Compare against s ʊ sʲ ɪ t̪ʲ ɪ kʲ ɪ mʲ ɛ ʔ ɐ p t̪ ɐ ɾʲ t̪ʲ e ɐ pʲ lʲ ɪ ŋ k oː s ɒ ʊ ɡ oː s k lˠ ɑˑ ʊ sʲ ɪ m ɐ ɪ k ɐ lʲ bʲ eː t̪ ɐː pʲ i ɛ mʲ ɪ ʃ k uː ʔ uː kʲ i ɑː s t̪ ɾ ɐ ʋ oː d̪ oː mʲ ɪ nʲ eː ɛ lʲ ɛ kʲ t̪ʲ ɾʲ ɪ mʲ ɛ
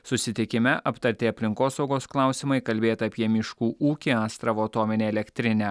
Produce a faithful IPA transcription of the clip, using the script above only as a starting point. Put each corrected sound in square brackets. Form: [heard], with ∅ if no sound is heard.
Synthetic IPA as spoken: s ʊ sʲ ɪ t̪ʲ ɪ kʲ ɪ mʲ ɛ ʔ ɐ p t̪ ɐ ɾʲ t̪ʲ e ɐ pʲ lʲ ɪ ŋ k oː s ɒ ʊ ɡ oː s k lˠ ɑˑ ʊ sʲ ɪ m ɐ ɪ k ɐ lʲ bʲ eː t̪ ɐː pʲ i ɛ mʲ ɪ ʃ k uː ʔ uː kʲ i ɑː s t̪ ɾ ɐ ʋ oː [t̪] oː mʲ ɪ nʲ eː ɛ lʲ ɛ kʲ t̪ʲ ɾʲ ɪ [nʲ] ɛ